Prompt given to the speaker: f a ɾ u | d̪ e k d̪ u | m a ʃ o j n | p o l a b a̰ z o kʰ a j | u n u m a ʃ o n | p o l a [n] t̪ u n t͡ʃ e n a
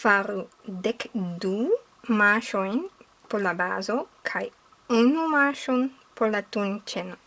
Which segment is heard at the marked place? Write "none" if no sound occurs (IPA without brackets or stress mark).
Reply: none